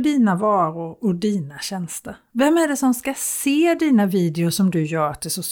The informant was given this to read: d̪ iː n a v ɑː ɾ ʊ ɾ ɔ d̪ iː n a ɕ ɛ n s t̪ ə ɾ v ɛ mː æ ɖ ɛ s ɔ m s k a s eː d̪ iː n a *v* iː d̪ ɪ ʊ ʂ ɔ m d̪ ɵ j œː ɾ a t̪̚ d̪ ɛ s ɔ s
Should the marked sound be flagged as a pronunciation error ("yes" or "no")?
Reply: no